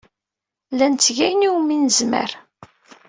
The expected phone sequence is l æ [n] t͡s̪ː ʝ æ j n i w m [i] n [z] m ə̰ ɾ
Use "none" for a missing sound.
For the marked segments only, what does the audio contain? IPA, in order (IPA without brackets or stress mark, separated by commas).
n, i, z